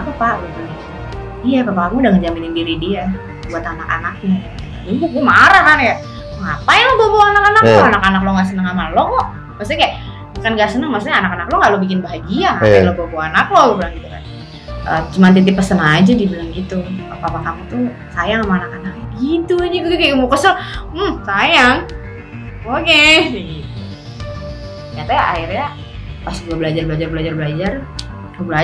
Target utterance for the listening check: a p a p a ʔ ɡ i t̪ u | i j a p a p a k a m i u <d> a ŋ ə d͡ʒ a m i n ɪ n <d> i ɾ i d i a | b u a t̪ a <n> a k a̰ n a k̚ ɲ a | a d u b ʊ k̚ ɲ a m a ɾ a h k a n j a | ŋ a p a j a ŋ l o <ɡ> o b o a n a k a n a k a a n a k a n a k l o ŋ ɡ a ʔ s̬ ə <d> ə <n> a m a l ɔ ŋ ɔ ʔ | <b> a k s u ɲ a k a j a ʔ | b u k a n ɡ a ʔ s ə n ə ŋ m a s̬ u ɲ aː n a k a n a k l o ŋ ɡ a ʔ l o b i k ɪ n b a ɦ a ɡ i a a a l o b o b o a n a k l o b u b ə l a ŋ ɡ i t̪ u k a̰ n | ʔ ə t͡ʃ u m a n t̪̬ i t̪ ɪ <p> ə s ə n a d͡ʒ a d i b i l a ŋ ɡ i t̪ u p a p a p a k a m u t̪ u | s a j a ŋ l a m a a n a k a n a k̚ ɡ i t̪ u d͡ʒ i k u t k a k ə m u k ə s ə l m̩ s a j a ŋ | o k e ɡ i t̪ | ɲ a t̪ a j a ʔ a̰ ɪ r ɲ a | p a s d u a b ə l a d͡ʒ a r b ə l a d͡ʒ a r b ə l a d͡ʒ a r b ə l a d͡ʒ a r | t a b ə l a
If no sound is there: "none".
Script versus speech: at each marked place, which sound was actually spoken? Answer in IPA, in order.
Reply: d, d, n, b, n, ŋ, m, p

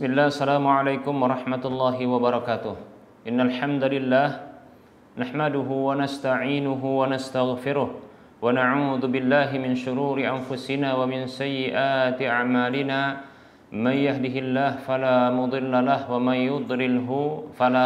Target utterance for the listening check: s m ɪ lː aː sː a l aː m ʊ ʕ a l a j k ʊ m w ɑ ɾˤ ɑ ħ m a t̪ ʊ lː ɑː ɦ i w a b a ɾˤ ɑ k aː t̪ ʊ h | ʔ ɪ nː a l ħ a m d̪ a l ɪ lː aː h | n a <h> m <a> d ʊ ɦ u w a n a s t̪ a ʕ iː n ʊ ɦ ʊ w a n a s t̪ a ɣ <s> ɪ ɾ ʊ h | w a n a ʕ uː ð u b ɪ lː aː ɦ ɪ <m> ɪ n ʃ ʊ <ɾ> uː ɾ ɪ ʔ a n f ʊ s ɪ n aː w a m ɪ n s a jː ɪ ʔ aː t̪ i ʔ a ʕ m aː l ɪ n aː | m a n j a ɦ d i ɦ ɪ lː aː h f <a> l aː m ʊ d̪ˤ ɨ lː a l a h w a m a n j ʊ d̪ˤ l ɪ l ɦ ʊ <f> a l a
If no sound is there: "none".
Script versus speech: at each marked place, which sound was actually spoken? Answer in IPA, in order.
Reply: ħ, a, f, m, ɾ, a, f

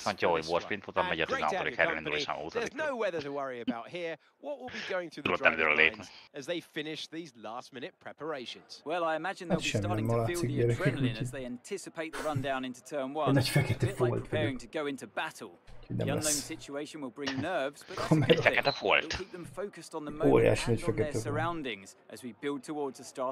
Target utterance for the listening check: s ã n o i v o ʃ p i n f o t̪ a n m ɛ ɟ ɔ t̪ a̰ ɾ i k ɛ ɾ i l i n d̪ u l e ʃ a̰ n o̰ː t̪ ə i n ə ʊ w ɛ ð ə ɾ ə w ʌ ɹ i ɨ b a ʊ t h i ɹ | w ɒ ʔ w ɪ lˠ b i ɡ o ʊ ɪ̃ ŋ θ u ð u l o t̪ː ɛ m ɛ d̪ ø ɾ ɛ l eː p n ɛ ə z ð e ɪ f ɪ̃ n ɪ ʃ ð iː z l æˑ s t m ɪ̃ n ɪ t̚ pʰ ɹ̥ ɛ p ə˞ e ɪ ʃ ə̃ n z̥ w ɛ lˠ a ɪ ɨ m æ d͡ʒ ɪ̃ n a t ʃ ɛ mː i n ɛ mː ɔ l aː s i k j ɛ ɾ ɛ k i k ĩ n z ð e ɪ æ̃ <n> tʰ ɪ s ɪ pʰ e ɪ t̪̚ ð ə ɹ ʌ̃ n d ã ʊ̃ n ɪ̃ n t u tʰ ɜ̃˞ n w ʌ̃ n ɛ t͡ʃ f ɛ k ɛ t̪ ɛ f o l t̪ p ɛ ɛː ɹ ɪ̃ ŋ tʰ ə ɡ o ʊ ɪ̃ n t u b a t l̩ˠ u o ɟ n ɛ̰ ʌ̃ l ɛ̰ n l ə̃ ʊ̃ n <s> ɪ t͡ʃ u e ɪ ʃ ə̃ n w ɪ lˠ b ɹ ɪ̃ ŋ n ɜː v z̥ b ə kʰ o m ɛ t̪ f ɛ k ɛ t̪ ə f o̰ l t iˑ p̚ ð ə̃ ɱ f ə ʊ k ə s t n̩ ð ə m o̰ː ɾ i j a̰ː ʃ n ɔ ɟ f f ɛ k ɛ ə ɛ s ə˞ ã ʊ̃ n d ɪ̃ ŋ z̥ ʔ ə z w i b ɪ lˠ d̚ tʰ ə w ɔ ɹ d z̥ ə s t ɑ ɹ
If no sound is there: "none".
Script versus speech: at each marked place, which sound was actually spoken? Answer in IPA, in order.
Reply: n, s

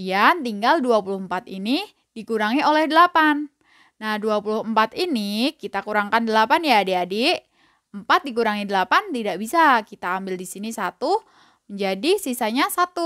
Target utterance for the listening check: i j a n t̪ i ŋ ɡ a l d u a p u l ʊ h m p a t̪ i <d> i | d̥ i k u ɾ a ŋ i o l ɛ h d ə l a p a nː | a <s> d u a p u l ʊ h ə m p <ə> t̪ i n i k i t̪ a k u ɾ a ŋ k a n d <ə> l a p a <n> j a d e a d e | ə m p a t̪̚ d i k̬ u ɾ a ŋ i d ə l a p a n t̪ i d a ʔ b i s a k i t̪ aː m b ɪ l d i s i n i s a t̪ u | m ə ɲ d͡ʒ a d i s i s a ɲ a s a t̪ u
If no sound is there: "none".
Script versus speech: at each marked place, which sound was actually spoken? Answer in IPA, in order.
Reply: n, h, a, ə, n

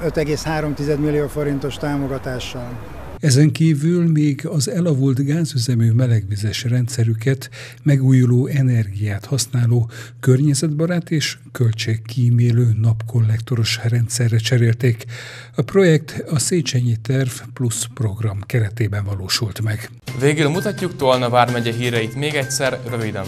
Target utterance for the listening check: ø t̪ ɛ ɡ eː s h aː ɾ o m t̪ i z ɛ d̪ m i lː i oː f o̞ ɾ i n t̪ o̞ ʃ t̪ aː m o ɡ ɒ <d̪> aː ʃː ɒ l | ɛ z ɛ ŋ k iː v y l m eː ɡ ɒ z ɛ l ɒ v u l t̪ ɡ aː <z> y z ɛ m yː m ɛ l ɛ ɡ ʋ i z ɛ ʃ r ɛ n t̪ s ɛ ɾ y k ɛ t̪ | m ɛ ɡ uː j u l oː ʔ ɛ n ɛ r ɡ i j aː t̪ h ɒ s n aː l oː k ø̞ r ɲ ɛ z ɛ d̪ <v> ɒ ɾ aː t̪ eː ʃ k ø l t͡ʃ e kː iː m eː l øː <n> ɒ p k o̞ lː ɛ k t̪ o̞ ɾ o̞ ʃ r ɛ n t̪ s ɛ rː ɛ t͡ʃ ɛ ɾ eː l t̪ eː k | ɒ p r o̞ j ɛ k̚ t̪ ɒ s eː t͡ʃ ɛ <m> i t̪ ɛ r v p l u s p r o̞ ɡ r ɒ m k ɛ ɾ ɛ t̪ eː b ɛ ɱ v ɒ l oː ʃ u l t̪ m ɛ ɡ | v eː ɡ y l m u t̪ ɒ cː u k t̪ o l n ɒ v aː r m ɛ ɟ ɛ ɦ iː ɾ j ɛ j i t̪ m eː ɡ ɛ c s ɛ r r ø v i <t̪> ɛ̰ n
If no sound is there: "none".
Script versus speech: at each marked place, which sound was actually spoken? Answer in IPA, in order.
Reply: t̪, z, b, n, ɲ, d̪

